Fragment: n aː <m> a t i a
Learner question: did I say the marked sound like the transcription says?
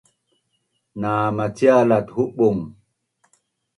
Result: yes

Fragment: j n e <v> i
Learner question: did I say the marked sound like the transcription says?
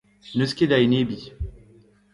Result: no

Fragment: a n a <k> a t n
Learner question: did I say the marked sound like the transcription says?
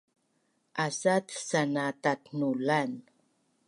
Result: no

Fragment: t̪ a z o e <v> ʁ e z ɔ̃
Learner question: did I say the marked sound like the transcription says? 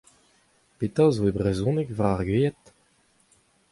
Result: no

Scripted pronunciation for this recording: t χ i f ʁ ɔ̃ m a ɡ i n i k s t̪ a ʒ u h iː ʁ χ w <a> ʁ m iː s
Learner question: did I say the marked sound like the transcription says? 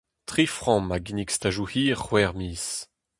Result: no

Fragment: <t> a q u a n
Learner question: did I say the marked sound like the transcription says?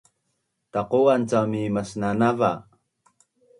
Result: yes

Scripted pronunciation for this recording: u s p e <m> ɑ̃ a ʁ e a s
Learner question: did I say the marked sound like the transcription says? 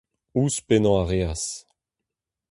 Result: no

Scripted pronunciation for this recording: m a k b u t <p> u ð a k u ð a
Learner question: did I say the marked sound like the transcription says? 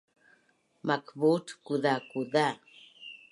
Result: no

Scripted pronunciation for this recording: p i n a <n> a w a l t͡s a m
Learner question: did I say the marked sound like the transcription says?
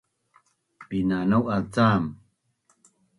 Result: yes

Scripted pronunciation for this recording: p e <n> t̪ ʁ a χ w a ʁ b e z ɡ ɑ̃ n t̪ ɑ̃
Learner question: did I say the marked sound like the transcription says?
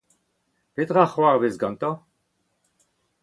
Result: no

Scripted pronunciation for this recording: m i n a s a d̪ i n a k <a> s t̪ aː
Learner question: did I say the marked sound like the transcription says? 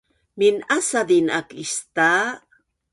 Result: no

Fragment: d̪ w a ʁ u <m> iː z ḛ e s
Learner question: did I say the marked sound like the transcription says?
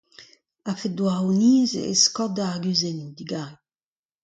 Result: no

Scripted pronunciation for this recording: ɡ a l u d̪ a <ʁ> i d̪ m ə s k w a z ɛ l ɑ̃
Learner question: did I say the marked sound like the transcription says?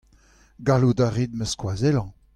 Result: yes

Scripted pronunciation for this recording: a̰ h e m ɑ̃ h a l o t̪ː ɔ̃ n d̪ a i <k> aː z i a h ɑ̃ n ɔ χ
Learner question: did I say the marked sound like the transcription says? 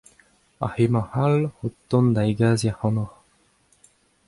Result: no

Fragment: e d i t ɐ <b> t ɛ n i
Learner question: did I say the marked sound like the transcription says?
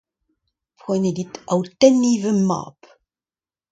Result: no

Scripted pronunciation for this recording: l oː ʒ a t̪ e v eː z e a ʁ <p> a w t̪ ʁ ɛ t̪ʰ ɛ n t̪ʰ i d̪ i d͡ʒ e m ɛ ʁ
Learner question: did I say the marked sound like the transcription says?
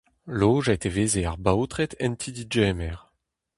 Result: no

